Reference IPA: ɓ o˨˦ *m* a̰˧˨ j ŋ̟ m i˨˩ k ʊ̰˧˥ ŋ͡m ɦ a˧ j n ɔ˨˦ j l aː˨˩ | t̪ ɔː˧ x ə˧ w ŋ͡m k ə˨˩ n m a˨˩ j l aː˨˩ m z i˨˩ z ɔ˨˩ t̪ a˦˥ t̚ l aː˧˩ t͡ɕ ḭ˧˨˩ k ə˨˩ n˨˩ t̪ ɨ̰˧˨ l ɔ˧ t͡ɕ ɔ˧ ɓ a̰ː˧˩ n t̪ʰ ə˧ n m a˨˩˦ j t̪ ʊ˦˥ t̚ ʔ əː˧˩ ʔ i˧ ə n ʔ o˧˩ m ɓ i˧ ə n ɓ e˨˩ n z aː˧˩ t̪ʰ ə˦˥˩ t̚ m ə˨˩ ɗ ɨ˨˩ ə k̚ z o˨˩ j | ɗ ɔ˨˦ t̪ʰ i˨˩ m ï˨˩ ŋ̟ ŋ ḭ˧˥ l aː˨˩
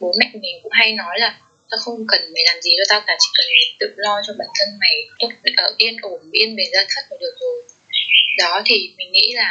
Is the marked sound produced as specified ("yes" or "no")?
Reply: yes